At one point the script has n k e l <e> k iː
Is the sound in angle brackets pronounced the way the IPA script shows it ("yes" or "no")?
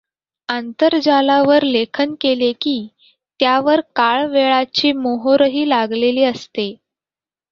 yes